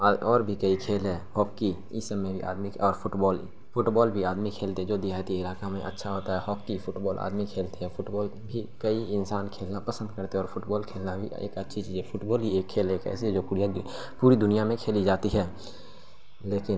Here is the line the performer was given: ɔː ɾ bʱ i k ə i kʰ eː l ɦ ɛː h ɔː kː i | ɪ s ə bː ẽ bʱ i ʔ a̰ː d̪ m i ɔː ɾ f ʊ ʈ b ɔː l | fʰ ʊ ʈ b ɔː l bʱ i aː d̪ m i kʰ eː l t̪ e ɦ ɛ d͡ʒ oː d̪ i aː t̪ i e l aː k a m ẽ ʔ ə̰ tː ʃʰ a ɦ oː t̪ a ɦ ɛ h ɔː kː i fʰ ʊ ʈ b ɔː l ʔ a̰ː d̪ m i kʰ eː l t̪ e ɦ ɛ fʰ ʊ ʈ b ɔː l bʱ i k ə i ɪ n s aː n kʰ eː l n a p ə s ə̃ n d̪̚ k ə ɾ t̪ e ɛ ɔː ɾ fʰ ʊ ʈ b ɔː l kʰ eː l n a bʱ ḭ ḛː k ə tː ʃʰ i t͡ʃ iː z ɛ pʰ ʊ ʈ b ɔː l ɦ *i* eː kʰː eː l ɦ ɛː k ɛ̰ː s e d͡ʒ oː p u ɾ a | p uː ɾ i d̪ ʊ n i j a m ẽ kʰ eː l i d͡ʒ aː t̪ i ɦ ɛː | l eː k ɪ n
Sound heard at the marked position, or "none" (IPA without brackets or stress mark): i